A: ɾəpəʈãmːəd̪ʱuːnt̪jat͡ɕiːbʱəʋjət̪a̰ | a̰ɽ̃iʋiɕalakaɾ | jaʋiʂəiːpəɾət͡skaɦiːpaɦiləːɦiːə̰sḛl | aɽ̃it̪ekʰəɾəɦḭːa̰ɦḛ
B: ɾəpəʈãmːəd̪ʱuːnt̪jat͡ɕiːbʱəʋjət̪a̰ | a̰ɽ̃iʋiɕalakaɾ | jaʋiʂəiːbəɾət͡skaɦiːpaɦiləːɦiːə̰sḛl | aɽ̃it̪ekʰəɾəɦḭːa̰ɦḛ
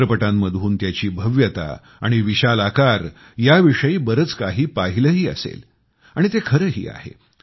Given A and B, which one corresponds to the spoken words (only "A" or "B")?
B